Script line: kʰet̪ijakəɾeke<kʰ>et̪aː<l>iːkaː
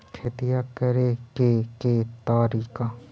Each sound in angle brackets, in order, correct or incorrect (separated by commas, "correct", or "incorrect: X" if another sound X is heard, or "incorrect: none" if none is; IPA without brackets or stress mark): incorrect: k, incorrect: ɾ